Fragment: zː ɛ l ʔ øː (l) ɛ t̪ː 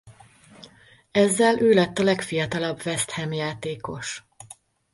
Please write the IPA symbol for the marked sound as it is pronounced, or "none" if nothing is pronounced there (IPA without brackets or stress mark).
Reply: l